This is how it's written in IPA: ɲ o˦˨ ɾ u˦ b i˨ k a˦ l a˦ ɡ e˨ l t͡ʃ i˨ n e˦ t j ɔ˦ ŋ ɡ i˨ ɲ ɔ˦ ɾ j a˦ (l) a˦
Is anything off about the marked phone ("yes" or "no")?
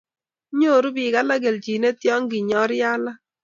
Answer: no